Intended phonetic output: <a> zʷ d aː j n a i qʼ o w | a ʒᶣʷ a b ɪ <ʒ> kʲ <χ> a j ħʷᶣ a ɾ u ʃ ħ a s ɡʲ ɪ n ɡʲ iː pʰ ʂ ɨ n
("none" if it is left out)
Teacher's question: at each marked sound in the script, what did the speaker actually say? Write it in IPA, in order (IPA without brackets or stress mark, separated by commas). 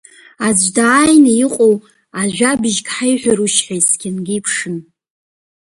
a, ʒ, ħ